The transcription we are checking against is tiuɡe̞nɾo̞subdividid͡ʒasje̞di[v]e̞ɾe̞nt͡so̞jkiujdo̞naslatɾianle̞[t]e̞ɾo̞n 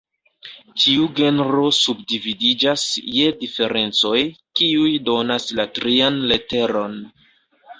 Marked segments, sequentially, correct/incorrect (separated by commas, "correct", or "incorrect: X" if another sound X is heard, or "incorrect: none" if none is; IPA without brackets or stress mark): incorrect: f, correct